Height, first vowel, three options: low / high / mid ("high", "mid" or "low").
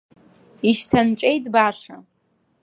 high